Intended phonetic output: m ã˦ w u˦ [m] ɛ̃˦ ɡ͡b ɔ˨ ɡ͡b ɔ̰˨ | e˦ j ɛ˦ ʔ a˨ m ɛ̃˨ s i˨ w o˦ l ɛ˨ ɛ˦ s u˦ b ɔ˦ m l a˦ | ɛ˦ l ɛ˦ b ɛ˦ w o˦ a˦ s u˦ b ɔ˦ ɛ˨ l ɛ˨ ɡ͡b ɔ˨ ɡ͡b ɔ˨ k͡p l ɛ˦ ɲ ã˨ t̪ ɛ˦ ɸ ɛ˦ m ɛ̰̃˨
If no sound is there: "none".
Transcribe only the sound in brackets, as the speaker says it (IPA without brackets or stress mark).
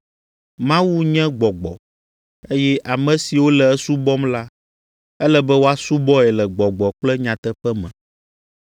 ɲ